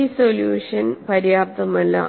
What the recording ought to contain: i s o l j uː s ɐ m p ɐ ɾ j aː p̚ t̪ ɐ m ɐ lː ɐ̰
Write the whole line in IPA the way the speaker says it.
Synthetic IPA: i s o l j uː ʂ ɐ n p ɐ ɾ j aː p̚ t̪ ɐ m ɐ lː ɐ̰